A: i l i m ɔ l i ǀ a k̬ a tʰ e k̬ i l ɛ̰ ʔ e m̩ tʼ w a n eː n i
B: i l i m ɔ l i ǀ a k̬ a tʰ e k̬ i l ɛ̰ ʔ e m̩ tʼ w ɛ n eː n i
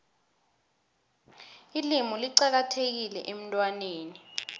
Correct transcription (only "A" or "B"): A